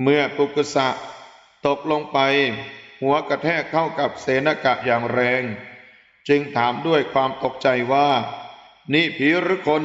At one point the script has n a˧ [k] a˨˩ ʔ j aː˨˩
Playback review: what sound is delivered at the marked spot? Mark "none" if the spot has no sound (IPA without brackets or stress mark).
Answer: k